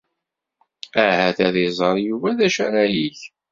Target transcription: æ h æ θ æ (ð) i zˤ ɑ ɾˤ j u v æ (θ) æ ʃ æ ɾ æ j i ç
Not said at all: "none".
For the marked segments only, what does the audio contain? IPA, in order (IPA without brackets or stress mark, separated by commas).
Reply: ð, ð